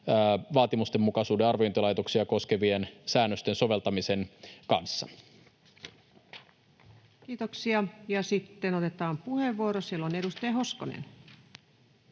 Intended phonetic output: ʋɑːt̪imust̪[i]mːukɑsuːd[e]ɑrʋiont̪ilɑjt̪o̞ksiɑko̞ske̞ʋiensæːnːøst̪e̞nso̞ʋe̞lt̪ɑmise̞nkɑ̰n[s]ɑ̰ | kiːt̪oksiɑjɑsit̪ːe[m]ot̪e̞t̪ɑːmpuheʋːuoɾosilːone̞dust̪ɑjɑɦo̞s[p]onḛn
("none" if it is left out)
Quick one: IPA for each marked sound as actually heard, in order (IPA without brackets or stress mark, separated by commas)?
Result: e, e, sː, n, k